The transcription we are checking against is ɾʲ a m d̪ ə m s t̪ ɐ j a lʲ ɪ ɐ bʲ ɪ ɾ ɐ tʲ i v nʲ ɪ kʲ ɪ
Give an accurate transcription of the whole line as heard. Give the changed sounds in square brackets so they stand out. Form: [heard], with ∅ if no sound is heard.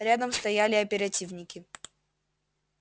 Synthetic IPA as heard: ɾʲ a [∅] d̪ ə m s t̪ ɐ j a lʲ ɪ ɐ [pʲ] ɪ ɾ ɐ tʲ i v nʲ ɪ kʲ ɪ